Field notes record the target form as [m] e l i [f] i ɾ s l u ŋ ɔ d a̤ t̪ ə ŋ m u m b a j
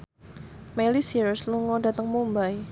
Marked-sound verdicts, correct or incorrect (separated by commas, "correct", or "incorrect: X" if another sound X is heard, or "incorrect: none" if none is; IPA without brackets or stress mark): correct, incorrect: s